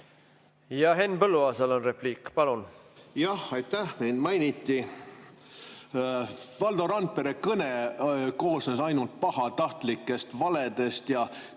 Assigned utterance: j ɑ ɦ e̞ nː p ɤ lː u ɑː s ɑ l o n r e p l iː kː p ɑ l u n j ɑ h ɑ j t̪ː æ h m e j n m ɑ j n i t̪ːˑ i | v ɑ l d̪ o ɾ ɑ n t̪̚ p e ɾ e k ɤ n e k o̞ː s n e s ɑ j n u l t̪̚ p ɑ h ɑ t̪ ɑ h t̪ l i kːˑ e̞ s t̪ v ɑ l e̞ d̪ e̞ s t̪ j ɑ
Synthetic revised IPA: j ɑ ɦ e̞ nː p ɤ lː u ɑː s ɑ l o n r e p l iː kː p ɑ l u n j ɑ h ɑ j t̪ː æ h m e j n m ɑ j n i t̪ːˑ i | v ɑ l d̪ o ɾ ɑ n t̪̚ p e ɾ e k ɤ n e k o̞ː s n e s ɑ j n u l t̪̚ p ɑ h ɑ t̪ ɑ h t̪ l i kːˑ e̞ s t̪ v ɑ l e̞ d̪ e̞ s t̪ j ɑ

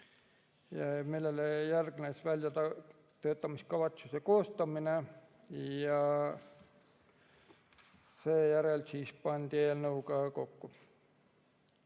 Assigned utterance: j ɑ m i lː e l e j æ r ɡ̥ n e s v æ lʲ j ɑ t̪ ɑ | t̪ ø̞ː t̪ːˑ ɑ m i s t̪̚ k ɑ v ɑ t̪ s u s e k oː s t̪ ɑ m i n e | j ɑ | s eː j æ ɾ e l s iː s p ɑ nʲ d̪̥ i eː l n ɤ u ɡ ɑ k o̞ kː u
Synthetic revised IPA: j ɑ m i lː e l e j æ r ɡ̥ n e s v æ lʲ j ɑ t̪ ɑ | t̪ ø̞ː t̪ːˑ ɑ m i s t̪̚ k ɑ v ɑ t̪ s u s e k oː s t̪ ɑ m i n e | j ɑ | s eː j æ ɾ e l s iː s p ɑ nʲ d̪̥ i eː l n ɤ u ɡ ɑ k o̞ kː u

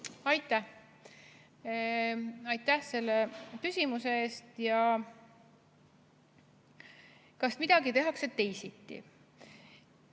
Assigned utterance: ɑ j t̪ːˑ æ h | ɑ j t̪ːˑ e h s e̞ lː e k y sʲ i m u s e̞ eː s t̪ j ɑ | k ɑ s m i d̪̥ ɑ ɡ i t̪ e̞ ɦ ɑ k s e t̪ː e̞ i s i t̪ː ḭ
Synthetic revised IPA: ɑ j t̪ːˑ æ h | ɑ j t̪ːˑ æ h s e̞ lː e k y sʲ i m u s e̞ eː s t̪ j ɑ | k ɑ s m i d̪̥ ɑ ɡ i t̪ e̞ ɦ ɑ k s e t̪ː e̞ j s i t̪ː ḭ

